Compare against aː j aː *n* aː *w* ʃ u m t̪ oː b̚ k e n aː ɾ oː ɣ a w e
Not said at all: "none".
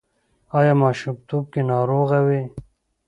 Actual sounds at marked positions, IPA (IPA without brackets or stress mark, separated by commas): m, none